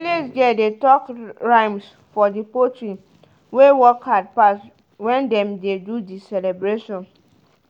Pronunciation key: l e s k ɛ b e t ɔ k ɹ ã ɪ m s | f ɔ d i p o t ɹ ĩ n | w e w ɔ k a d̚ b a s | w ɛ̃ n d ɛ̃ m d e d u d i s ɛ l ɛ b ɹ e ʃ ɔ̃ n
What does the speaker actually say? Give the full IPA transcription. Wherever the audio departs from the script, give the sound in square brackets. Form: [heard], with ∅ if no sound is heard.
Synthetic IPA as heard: l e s [ɡ] ɛ [d] e t ɔ k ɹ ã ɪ m s | f ɔ d i p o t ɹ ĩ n | w e w ɔ k a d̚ [p] a s | w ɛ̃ n d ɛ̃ m d e d u d i s ɛ l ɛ b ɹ e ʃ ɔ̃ n